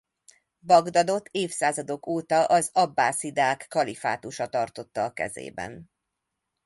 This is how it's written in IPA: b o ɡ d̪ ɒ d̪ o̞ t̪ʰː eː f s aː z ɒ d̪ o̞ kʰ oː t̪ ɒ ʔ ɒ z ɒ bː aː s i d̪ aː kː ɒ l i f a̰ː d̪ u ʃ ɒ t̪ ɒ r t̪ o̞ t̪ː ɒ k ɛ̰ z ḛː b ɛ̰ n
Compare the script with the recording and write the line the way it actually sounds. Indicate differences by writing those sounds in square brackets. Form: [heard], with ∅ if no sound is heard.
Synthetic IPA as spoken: b [ɒ] ɡ d̪ ɒ d̪ o̞ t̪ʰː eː f s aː z ɒ d̪ o̞ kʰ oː t̪ ɒ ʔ ɒ z ɒ bː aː s i d̪ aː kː ɒ l i f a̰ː [t̪] u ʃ ɒ t̪ ɒ r t̪ o̞ t̪ː [ɒː] k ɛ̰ z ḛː b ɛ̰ n